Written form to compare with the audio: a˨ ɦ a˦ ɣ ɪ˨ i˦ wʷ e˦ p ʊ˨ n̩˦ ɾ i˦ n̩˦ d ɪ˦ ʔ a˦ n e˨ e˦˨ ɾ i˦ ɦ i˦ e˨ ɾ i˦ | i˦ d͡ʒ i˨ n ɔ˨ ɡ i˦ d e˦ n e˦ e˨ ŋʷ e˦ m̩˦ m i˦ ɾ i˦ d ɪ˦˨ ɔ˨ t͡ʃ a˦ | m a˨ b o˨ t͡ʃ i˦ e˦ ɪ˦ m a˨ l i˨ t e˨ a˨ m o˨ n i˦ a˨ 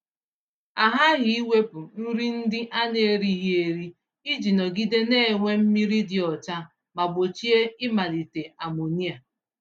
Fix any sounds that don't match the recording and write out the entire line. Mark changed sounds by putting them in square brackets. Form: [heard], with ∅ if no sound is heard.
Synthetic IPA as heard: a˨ ɦ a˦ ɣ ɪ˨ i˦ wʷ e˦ p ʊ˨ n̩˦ ɾ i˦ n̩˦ d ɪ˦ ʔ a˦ n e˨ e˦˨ ɾ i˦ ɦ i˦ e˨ ɾ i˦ | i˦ d͡ʒ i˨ n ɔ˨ ɡ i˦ d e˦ n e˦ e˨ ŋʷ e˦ m̩˦ m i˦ ɾ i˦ d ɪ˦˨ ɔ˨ t͡ʃ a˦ | m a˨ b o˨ t͡ʃ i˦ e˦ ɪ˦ m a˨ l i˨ t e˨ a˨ m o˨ n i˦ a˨